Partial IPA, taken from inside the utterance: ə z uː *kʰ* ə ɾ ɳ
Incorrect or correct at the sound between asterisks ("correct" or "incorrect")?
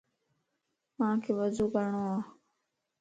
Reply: incorrect